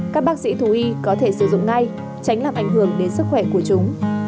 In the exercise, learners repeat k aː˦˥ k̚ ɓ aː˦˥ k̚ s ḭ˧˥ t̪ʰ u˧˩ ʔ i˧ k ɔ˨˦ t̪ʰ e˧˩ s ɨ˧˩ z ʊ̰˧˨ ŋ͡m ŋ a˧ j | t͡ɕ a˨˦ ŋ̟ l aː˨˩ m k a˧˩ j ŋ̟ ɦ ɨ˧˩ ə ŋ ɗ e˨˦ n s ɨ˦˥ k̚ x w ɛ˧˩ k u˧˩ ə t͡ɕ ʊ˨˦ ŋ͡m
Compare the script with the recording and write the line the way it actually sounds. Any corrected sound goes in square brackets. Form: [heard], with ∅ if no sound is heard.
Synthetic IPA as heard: k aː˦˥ k̚ ɓ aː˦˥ k̚ s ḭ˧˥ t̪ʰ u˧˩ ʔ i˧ k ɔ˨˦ t̪ʰ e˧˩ s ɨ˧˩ z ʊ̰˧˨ ŋ͡m ŋ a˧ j | t͡ɕ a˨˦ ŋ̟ l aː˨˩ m [ʔ] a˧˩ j ŋ̟ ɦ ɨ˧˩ ə ŋ ɗ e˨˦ n s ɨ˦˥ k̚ x w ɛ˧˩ k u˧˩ ə t͡ɕ ʊ˨˦ ŋ͡m